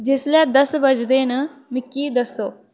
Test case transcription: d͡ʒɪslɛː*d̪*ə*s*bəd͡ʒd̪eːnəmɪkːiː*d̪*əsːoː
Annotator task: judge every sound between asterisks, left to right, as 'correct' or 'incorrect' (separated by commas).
correct, correct, correct